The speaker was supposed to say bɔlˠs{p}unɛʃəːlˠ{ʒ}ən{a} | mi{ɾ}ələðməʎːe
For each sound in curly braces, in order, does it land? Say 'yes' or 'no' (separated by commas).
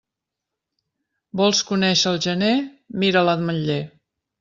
no, yes, no, yes